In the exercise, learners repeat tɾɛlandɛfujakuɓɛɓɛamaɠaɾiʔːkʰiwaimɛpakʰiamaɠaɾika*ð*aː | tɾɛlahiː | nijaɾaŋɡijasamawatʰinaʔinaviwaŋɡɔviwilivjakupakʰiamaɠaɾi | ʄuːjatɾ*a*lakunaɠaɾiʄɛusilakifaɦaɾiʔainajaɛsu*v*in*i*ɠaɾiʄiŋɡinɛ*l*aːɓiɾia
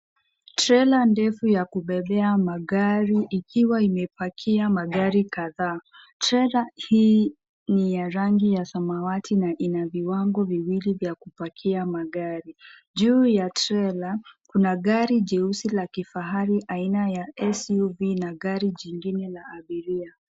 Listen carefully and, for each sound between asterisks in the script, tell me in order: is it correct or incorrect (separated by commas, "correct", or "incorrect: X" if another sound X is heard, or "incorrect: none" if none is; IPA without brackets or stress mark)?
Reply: correct, incorrect: ɛ, correct, incorrect: a, correct